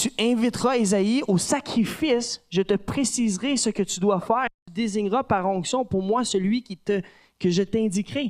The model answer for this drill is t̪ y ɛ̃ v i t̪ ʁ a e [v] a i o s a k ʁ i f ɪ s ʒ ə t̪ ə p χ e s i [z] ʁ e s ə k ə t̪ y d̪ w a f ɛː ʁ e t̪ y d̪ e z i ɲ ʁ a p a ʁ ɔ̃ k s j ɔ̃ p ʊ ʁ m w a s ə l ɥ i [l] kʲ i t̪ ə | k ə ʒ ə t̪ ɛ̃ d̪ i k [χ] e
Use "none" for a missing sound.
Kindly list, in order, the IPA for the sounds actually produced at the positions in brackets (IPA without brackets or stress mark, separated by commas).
z, z, none, ʁ